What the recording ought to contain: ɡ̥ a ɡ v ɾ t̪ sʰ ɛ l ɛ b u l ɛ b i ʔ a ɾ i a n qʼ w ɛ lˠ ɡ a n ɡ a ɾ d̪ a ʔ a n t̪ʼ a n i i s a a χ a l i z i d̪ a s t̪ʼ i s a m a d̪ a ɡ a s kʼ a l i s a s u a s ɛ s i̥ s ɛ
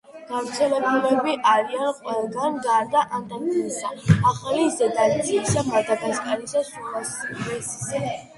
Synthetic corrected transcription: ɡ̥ a v ɾ t̪ sʰ ɛ l ɛ b u l ɛ b i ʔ a ɾ i a n qʼ w ɛ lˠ ɡ a n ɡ a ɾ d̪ a ʔ a n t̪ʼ a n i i s a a χ a l i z ɛ d̪ a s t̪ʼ i s a m a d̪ a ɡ a s kʼ a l i s a s u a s ɛ s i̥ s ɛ